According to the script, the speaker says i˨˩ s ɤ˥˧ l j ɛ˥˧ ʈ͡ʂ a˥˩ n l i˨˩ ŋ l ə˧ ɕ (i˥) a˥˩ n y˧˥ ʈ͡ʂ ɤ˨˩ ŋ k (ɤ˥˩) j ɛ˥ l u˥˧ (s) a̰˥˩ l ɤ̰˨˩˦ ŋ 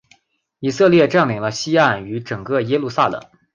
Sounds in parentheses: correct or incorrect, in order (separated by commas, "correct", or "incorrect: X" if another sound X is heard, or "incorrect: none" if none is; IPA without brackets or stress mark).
correct, correct, correct